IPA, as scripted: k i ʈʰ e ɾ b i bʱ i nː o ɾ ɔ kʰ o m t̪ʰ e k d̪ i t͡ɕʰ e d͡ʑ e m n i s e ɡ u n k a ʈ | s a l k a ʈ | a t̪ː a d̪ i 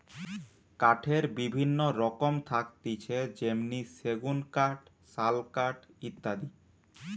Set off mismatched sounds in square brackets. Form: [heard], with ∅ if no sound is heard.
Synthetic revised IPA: k [a] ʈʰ e ɾ b i bʱ i nː o ɾ ɔ [k] o m t̪ʰ [a] k [t̪] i t͡ɕʰ e d͡ʑ e m n i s e ɡ u n k a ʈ | s a l k a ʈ | [i] t̪ː a d̪ i